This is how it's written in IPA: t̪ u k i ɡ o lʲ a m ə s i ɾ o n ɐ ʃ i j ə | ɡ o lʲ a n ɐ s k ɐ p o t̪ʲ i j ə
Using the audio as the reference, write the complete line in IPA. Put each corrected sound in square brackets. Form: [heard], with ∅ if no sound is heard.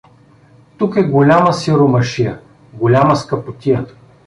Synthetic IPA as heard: t̪ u k [ɛ] ɡ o lʲ a m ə s i ɾ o [m] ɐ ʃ i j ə | ɡ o lʲ a [m] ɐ s k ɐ p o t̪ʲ i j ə